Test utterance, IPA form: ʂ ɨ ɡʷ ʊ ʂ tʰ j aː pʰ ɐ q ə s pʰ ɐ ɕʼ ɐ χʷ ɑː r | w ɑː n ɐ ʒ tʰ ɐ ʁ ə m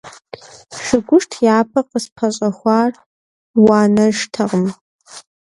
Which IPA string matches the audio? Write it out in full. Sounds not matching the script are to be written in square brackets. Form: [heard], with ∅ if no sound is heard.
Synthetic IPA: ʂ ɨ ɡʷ ʊ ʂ tʰ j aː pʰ ɐ q ə s pʰ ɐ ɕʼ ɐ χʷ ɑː r | w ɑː n ɐ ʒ tʰ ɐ ʁ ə m